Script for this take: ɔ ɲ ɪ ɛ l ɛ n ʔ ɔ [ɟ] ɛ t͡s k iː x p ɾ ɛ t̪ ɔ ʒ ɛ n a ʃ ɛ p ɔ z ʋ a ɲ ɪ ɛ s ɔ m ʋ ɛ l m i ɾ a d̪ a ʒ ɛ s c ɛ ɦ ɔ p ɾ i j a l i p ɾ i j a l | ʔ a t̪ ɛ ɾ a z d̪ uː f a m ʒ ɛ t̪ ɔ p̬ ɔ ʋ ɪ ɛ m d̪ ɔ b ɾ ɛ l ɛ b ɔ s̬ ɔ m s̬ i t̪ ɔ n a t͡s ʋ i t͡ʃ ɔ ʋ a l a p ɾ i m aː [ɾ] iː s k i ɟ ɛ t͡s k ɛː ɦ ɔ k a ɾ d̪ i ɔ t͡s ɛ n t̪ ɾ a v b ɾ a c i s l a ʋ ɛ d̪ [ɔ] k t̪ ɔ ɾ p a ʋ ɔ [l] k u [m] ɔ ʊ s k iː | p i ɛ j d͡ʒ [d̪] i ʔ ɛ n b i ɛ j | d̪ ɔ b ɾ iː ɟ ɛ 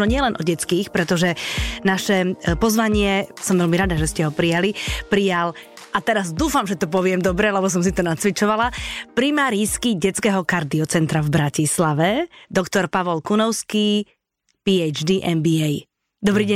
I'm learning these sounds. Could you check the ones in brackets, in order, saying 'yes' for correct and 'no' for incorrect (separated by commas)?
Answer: yes, yes, yes, yes, no, yes